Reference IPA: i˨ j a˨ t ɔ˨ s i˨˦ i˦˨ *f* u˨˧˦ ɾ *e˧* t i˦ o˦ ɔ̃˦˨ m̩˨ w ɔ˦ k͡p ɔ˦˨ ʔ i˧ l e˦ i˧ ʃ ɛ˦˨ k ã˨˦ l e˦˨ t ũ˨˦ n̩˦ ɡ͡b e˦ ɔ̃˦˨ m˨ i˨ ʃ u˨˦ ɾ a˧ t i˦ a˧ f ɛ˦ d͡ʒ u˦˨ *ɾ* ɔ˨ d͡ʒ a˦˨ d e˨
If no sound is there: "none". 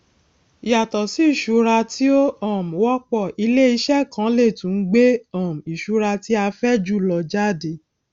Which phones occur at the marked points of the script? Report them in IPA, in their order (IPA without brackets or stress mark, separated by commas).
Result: ʃ, a˧, l